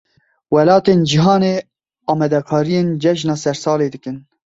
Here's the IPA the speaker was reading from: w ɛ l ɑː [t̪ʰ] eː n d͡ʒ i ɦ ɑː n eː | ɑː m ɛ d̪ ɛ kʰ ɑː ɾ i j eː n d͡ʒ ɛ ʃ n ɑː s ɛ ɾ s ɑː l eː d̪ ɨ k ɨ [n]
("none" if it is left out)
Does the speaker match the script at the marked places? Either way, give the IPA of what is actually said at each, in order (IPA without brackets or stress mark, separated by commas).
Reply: t̪, n